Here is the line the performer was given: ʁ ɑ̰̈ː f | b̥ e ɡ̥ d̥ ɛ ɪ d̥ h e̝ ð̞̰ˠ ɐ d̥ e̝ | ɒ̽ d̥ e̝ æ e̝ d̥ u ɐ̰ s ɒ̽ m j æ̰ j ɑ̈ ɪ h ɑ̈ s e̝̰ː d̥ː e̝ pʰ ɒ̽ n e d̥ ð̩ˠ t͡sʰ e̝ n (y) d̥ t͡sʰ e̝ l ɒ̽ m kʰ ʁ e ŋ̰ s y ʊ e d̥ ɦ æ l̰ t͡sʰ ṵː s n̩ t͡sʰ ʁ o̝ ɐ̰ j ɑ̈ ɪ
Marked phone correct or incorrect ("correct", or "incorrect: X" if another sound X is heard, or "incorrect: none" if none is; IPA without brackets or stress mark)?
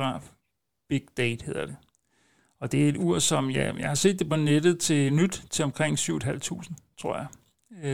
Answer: correct